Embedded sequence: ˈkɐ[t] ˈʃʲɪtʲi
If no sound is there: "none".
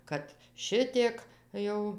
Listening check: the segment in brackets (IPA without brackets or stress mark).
t